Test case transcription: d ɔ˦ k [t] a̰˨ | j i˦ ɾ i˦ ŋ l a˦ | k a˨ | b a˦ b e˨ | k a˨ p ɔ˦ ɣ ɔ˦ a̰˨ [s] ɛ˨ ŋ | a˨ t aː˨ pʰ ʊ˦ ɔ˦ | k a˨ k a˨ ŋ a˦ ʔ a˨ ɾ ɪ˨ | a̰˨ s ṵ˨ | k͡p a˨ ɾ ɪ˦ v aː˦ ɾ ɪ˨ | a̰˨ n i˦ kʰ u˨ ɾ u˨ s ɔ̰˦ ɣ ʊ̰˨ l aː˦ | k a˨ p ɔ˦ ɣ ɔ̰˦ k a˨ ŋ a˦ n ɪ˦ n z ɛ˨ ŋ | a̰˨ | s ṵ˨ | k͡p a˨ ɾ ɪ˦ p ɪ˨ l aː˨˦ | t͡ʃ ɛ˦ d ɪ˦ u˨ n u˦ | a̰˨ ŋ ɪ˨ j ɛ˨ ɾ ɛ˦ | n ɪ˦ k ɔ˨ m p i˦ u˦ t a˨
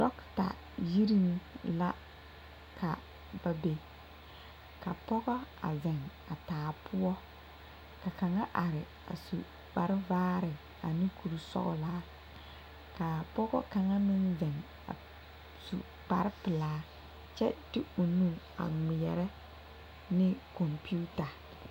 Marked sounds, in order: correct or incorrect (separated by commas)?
correct, incorrect